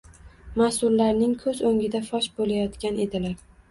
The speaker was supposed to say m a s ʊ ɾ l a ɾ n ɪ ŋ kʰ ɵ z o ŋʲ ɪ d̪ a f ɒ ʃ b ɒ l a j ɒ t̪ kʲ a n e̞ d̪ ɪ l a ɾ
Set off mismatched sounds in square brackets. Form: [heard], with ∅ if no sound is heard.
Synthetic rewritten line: m a s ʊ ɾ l a ɾ n ɪ ŋ kʰ ɵ z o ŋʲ ɪ d̪ a f ɒ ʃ b [o] l a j ɒ t̪ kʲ a n e̞ d̪ ɪ l a ɾ